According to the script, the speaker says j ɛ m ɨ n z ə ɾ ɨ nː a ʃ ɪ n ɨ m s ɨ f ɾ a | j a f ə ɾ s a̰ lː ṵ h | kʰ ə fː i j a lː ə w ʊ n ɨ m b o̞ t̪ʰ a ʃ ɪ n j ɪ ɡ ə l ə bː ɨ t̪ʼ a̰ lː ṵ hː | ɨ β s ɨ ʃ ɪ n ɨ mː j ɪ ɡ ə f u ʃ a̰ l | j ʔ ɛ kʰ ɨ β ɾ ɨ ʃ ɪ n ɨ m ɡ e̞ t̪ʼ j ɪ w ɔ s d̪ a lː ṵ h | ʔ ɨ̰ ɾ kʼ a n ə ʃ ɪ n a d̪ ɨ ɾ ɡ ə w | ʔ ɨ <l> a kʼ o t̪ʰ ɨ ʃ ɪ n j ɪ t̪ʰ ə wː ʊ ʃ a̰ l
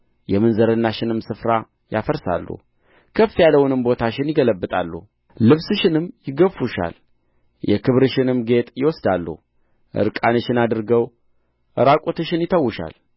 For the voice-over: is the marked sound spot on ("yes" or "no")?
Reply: no